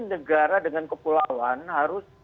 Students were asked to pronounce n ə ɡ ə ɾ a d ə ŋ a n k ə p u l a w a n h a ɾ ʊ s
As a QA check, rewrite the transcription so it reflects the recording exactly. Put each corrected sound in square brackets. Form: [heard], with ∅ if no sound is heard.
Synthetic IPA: n ə ɡ [a] ɾ a d ə ŋ a n k ə p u l a w a n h a ɾ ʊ s